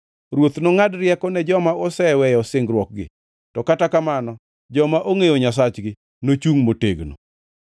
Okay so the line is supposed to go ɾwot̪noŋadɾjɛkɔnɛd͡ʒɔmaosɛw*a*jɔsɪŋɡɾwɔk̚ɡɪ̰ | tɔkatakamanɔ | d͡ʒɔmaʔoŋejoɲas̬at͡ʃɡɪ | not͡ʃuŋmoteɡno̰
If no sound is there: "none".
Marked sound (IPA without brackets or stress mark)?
ɛ